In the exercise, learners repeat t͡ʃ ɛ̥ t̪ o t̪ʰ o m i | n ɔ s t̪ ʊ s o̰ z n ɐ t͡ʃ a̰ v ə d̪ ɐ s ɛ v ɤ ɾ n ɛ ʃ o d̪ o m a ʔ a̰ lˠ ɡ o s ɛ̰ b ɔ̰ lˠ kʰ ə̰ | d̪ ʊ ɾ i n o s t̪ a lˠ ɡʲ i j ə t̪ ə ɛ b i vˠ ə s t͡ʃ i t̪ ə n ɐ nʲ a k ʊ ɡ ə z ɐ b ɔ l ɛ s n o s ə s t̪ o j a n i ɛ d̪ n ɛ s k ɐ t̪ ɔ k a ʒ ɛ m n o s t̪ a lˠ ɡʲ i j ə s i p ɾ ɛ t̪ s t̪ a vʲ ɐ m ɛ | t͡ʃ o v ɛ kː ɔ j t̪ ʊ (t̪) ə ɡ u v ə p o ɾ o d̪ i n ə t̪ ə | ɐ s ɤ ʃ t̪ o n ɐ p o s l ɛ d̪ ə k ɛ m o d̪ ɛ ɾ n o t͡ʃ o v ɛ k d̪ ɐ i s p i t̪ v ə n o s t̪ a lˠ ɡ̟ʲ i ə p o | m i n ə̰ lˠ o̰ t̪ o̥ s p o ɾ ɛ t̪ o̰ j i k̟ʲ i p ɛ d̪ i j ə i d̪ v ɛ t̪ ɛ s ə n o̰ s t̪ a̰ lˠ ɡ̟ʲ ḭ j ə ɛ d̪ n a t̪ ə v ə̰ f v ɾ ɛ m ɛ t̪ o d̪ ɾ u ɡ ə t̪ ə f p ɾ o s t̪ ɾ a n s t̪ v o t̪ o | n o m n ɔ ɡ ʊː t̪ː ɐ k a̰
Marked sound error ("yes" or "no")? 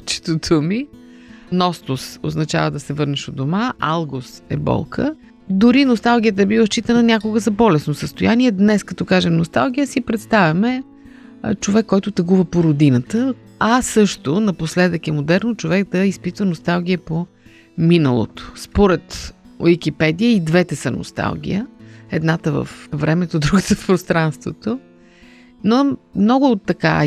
no